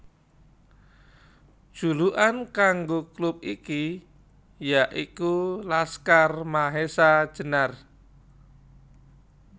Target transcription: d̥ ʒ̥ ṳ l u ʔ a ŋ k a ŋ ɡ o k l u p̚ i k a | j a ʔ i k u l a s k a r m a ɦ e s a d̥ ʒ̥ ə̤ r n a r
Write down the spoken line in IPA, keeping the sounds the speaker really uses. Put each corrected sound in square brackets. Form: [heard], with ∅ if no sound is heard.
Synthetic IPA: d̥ ʒ̥ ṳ l u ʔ a [n] k a ŋ ɡ o k l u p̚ i k [i] | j a ʔ i k u l a s k a r m a ɦ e s a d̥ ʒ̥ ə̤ [∅] n a r

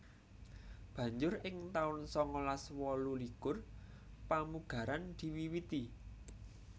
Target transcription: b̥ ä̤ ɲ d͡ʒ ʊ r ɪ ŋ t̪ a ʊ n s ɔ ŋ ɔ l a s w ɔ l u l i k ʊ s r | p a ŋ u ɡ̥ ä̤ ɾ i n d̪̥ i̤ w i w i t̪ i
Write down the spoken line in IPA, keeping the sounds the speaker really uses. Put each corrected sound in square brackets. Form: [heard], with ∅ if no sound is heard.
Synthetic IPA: b̥ ä̤ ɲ d͡ʒ ʊ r ɪ ŋ t̪ a ʊ n s ɔ ŋ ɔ l a s w ɔ l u l i k ʊ [∅] r | p a [m] u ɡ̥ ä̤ ɾ [a] n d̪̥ i̤ w i w i t̪ i

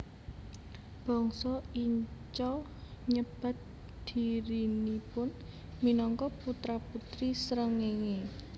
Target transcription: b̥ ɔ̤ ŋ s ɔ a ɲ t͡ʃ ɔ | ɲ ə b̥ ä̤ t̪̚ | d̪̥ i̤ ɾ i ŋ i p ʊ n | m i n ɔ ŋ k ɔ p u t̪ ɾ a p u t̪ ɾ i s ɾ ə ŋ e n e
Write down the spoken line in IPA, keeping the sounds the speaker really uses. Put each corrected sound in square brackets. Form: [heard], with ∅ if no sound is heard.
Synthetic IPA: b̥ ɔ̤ ŋ s ɔ [i] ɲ t͡ʃ ɔ | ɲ ə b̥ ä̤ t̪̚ | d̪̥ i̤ ɾ i [n] i p ʊ n | m i n ɔ ŋ k ɔ p u t̪ ɾ a p u t̪ ɾ i s ɾ ə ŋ e [ŋ] e

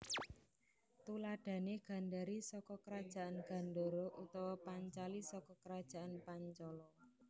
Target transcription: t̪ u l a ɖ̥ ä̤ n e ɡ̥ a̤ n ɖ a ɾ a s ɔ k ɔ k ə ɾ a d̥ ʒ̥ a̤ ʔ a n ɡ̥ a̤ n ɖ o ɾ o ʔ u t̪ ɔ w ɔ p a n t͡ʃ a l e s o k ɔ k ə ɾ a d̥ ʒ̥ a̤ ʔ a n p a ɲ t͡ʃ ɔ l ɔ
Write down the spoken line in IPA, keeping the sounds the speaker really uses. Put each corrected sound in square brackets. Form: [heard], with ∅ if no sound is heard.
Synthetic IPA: t̪ u l a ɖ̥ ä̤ n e ɡ̥ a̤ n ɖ a ɾ [i] s ɔ k ɔ k ə ɾ a d̥ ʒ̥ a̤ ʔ a n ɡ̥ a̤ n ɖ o ɾ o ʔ u t̪ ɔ w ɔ p a [ɲ] t͡ʃ a l [i] s [ɔ] k ɔ k ə ɾ a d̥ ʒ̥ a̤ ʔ a n p a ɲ t͡ʃ ɔ l ɔ

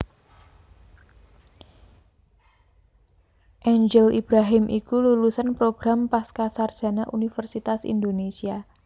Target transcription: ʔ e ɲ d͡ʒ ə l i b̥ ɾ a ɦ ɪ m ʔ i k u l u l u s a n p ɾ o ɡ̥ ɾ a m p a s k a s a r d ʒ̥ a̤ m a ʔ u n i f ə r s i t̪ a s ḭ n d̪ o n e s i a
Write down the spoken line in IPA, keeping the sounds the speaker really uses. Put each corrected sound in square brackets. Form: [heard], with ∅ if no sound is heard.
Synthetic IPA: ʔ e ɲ d͡ʒ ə l i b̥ ɾ a ɦ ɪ m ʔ i k u l u l u s a n p ɾ o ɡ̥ ɾ a m p a s k a s a r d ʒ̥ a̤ [n] a ʔ u n i f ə r s i t̪ a s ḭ n d̪ o n e s i a

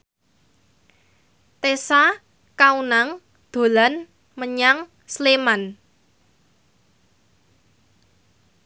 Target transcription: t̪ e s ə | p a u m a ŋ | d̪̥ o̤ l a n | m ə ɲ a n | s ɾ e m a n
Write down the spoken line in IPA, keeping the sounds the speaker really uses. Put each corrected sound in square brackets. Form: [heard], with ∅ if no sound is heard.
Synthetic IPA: t̪ e s [a] | [k] a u [n] a ŋ | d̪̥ o̤ l a n | m ə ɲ a [ŋ] | s [l] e m a n

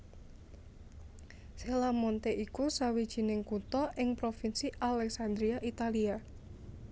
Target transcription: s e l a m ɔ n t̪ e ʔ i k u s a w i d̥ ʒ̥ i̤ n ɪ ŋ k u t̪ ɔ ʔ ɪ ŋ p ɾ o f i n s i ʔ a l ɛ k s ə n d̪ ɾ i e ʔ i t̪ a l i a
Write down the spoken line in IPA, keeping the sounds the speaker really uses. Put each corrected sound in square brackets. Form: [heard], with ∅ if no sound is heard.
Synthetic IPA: s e l a m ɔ n t̪ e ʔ i k u s a w i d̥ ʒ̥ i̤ n ɪ ŋ k u t̪ ɔ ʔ ɪ ŋ p ɾ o f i n s i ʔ a l ɛ k s [a] n d̪ ɾ i [a] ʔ i t̪ a l i a

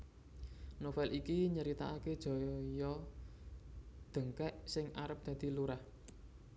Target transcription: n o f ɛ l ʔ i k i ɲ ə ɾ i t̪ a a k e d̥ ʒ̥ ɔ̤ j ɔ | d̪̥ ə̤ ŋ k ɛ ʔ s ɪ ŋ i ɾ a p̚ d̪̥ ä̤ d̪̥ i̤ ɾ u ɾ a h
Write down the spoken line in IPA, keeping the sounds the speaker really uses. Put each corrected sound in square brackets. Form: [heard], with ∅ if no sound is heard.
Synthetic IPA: n o f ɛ l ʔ i k i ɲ ə ɾ i t̪ a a k e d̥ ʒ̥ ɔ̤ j ɔ | d̪̥ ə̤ ŋ k ɛ ʔ s ɪ ŋ [a] ɾ [ə] p̚ d̪̥ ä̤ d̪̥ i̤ [l] u ɾ a h

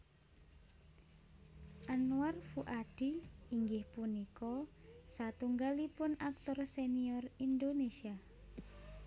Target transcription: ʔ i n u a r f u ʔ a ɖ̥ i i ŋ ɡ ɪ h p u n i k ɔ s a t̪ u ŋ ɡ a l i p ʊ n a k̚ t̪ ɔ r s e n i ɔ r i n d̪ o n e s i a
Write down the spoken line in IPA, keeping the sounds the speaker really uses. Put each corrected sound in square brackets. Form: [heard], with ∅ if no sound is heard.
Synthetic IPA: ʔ [a] n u a r f u ʔ a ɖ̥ i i ŋ ɡ ɪ h p u n i k ɔ s a t̪ u ŋ ɡ a l i p ʊ n a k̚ t̪ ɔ r s e n i ɔ r i n d̪ o n e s i a

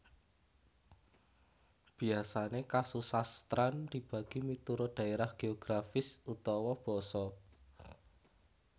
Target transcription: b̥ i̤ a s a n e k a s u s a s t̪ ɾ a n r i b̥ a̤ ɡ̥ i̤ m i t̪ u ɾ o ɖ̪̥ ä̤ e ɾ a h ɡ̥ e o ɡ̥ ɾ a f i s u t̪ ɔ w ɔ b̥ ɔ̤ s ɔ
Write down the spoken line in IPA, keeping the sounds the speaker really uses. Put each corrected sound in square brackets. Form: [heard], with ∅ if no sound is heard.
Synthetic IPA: b̥ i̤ a s a n e k a s u s a s t̪ ɾ a n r i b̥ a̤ ɡ̥ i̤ m i t̪ u ɾ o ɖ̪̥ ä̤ e ɾ a h ɡ̥ e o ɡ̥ ɾ a f [ɪ] s u t̪ ɔ w ɔ b̥ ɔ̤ s ɔ

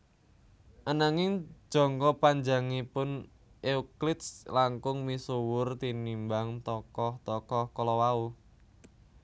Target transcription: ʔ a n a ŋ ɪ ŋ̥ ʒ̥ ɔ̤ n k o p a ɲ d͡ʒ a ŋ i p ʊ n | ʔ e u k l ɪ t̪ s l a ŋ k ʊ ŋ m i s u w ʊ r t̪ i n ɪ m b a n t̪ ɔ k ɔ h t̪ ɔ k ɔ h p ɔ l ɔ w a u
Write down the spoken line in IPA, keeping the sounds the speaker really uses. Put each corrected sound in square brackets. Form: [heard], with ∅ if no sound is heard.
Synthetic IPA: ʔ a n a ŋ ɪ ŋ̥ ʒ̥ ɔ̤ [ŋ] k [ɔ] p a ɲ d͡ʒ a ŋ i p ʊ n | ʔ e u k l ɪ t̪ s l a ŋ k ʊ ŋ m i s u w ʊ r t̪ i n [i] m b a [ŋ] t̪ ɔ k ɔ h t̪ ɔ k ɔ h [k] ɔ l ɔ w a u

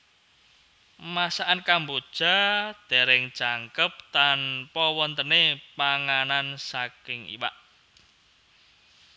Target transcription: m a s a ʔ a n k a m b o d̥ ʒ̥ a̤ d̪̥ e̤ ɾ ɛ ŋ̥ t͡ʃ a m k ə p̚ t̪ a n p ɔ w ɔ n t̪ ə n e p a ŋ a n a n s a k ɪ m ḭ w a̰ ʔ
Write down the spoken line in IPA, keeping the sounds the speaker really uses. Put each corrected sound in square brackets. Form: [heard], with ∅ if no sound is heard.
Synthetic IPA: m a s a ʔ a n k a m b o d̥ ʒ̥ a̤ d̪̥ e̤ ɾ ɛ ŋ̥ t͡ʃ a [ŋ] k ə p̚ t̪ a n p ɔ w ɔ n t̪ ə n e p a ŋ a n a n s a k ɪ [ŋ] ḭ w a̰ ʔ

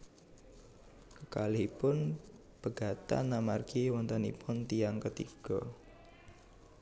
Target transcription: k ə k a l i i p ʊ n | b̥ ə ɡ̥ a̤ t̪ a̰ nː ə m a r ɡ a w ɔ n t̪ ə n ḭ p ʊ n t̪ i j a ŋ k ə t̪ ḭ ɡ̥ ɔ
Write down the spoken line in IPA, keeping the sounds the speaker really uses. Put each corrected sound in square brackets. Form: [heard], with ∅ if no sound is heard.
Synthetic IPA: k ə k a l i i p ʊ n | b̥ ə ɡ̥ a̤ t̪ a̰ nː [a] m a r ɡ [i] w ɔ n t̪ ə n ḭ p ʊ n t̪ i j a ŋ k ə t̪ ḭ ɡ̥ ɔ

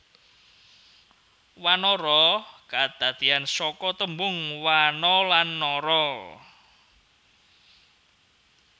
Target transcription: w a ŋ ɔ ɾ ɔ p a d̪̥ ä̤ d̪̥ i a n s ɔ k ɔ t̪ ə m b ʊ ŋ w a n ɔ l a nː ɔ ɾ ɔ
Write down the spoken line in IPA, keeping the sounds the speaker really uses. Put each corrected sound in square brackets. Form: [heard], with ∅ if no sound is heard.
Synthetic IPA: w a [n] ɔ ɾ ɔ [k] a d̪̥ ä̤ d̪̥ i a n s ɔ k ɔ t̪ ə m b ʊ ŋ w a n ɔ l a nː ɔ ɾ ɔ

